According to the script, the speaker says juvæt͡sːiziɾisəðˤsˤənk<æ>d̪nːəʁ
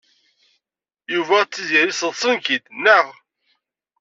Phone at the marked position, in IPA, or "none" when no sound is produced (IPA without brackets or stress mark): i